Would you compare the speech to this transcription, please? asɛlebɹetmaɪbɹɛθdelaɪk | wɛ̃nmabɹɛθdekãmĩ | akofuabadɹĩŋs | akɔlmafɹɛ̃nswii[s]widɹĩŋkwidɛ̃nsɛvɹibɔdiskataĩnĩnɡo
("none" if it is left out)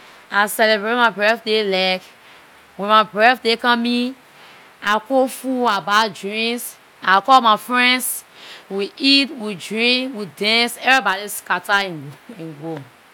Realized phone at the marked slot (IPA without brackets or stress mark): t